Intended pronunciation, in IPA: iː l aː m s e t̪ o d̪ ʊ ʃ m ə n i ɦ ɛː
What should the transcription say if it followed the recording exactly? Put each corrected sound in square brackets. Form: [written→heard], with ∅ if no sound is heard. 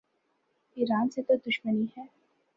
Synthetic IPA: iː [l→ɾ] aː [m→n] s e t̪ o d̪ ʊ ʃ m ə n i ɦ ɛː